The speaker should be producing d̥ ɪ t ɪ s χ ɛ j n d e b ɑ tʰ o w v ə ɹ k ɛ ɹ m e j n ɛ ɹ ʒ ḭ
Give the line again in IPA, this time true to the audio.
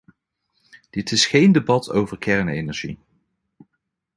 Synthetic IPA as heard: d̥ ɪ t ɪ s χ e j n d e b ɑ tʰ o w v ə ɹ k ɛ ɹ n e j n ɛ ɹ ʒ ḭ